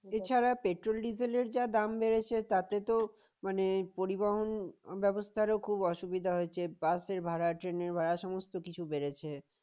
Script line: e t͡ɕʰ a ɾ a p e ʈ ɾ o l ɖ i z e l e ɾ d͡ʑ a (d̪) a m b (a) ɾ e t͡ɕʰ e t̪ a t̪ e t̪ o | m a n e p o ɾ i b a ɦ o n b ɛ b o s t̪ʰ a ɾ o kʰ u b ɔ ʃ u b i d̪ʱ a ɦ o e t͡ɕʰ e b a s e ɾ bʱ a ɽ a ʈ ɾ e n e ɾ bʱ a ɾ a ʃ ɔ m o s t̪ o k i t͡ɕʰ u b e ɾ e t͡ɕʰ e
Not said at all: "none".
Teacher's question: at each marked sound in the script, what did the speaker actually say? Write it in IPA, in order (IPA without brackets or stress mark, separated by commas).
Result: d̪, e